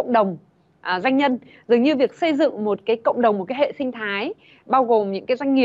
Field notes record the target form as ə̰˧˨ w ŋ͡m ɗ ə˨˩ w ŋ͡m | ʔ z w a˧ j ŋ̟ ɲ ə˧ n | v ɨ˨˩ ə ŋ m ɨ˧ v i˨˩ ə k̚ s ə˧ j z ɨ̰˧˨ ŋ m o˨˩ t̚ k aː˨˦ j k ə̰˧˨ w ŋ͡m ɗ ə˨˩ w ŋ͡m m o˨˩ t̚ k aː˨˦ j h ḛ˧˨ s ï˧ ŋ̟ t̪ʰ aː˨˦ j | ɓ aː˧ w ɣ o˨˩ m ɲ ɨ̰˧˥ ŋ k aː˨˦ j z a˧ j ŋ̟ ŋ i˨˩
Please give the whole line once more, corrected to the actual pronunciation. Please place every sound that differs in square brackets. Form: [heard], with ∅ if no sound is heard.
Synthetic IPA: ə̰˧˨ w ŋ͡m ɗ ə˨˩ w ŋ͡m | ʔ z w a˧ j ŋ̟ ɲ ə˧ n | [z] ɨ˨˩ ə ŋ [ɲ] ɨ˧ v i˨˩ ə k̚ s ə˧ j z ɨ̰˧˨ ŋ m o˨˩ t̚ k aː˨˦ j k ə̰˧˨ w ŋ͡m ɗ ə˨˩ w ŋ͡m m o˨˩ t̚ k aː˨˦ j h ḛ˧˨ s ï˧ ŋ̟ t̪ʰ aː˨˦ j | ɓ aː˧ w ɣ o˨˩ m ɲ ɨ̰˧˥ ŋ k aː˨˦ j z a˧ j ŋ̟ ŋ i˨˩